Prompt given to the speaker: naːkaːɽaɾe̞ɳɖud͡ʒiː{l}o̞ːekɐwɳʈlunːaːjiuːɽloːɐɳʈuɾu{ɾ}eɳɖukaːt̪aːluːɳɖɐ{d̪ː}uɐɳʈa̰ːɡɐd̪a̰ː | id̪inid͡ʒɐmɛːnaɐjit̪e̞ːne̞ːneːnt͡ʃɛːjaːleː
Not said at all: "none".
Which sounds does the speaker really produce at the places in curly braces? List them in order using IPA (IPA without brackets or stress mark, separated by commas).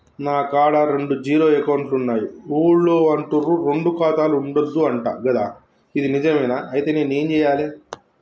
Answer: ɾ, ɾ, d̪ː